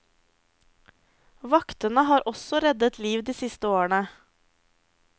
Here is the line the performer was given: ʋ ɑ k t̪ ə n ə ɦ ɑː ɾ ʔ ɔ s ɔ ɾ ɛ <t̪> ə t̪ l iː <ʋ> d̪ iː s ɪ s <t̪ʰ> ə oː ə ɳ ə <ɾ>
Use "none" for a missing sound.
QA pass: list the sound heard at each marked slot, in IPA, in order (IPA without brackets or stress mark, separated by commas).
d̪, ʋ, t̪, none